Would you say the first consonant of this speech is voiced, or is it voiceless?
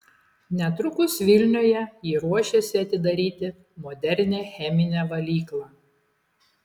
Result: voiced